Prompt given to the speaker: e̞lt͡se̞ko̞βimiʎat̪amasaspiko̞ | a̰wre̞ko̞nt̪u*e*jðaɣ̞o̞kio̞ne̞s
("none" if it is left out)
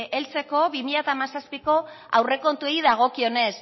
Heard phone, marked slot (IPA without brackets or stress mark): e